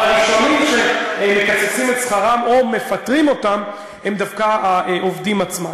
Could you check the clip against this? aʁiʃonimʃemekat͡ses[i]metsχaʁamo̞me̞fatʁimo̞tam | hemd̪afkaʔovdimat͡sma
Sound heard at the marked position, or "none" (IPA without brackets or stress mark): i